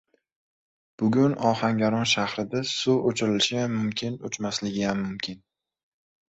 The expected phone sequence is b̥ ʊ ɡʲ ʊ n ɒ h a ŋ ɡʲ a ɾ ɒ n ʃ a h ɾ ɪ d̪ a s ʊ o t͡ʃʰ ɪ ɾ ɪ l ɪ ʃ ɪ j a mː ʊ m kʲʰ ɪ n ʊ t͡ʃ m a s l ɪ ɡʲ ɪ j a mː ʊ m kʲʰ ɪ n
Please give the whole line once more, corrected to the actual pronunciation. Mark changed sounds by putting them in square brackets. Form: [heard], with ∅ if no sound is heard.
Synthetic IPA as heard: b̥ ʊ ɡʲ ʊ n ɒ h a ŋ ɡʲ a ɾ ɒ n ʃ a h ɾ ɪ d̪ a s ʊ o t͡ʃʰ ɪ ɾ ɪ l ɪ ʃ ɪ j a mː ʊ m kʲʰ ɪ n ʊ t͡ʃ m a s l ɪ ɡʲ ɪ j a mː ʊ m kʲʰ ɪ n